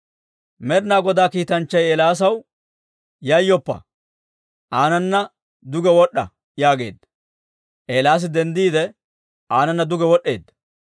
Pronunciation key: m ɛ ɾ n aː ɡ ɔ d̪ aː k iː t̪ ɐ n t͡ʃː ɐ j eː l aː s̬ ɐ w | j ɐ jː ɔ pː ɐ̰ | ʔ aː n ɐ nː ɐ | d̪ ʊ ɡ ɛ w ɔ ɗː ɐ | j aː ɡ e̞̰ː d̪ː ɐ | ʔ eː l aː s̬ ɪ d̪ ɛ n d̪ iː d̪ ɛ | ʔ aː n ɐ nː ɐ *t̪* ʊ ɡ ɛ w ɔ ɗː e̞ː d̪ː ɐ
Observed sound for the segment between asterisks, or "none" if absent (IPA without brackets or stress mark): d̪